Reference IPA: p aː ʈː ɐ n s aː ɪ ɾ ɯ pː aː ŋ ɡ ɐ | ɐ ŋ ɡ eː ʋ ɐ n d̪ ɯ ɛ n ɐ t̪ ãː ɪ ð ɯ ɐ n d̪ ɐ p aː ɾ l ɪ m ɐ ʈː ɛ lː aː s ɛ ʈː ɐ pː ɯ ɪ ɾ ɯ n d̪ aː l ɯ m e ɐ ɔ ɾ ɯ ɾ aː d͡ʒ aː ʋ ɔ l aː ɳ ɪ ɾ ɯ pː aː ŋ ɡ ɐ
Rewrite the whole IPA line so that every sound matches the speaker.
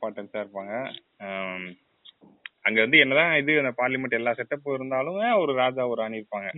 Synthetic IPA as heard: p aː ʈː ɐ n s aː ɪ ɾ ɯ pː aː ŋ ɡ ɐ | ɐ ŋ ɡ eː ʋ ɐ n d̪ ɯ ɛ nː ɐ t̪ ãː ɪ ð ɯ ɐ n d̪ ɐ p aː ɾ l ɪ m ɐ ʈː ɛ lː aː s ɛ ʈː ɐ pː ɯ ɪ ɾ ɯ n d̪ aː l ɯ m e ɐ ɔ ɾ ɯ ɾ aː d͡ʒ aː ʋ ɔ ɾ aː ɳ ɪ ɾ ɯ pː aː ŋ ɡ ɐ